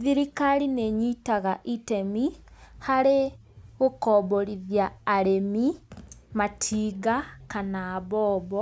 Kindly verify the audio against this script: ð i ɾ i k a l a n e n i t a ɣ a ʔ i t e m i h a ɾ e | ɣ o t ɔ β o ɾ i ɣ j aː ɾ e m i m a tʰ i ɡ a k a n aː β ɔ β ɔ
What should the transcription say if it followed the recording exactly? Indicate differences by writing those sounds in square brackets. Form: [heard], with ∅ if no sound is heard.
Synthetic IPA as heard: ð i ɾ i k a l [i] n e [ɲ] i t a ɣ a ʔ i t e m i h a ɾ e | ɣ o [k] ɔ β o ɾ i [ð] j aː ɾ e m i m a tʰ i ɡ a k a n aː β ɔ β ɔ